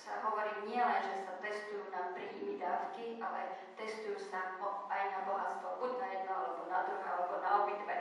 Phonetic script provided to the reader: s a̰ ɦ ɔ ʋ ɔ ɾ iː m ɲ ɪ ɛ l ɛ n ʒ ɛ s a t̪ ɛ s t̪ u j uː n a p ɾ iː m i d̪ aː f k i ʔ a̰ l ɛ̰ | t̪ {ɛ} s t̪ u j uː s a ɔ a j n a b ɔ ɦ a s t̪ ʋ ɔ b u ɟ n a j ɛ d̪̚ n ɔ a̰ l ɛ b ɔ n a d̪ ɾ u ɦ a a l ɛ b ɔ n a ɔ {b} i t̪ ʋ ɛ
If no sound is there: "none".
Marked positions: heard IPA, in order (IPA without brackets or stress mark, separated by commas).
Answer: ɛ, b